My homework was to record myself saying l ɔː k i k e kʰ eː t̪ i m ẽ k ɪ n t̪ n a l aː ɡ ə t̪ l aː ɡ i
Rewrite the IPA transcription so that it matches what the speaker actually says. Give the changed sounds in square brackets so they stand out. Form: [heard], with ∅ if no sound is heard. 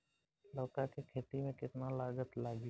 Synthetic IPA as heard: l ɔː k [a] k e kʰ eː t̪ i m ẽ k ɪ [∅] t̪ n a l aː ɡ ə t̪ l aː ɡ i